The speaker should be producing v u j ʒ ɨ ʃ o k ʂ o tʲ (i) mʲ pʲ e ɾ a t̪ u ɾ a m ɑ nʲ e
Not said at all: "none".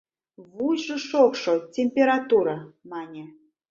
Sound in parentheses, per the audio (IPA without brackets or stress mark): e